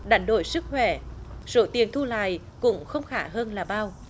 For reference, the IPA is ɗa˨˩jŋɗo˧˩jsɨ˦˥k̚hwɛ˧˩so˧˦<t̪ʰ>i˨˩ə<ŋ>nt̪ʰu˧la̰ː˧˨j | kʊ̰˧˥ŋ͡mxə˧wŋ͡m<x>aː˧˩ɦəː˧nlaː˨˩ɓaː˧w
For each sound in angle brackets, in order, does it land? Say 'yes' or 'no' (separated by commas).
no, no, yes